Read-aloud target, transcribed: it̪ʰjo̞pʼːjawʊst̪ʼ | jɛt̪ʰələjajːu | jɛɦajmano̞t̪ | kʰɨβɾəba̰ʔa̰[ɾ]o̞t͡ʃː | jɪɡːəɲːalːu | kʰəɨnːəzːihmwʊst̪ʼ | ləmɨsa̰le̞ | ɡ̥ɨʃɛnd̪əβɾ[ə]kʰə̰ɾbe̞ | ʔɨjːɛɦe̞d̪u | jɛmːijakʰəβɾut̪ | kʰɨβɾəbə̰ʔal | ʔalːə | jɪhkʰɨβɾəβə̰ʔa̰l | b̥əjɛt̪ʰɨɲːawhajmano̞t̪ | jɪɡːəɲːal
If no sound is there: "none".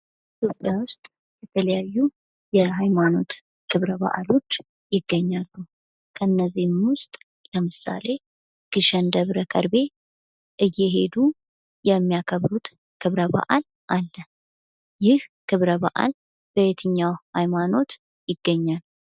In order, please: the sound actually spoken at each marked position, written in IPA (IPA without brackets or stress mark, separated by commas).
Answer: l, ə